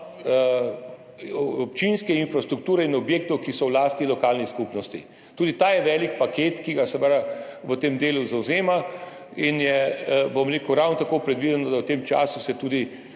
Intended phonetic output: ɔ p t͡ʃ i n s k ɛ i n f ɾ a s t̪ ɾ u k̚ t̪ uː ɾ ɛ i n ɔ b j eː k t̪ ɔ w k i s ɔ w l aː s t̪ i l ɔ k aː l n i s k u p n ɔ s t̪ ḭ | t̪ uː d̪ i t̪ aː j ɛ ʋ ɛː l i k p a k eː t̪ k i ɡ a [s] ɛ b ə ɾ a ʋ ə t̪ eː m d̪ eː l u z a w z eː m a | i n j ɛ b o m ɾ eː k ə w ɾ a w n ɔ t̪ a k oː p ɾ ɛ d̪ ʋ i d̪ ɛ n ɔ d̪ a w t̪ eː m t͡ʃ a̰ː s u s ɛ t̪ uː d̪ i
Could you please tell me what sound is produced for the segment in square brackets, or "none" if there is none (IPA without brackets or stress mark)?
s